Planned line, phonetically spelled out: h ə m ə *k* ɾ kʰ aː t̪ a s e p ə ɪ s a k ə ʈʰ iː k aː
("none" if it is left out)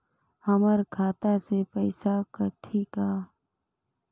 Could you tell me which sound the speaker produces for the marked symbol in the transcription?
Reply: none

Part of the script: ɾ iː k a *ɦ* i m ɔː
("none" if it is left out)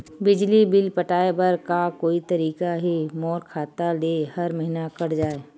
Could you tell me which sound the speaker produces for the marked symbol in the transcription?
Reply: ɦ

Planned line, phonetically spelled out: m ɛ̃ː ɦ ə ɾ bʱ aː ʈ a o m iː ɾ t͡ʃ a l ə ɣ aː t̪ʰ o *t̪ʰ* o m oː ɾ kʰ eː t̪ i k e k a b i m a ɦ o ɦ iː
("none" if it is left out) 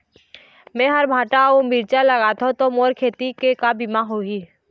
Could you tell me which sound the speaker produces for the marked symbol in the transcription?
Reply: t̪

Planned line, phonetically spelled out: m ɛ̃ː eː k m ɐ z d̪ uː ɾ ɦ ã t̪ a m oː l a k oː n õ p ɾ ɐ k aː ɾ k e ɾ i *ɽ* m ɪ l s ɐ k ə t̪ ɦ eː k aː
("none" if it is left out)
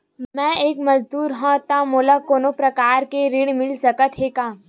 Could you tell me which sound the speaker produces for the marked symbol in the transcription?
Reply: ɽ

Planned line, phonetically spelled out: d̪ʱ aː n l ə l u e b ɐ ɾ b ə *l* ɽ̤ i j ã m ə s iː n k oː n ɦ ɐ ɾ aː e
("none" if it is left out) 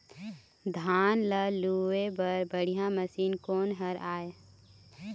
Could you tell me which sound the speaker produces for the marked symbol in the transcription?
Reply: none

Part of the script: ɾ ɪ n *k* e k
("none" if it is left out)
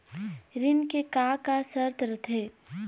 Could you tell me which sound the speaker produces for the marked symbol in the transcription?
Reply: k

